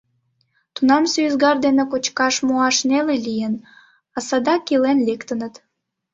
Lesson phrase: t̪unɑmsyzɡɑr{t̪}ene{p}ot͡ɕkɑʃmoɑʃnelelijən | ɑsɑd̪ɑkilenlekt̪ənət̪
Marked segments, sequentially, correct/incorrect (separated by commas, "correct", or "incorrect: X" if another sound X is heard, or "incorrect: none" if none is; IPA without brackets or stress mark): incorrect: d̪, incorrect: k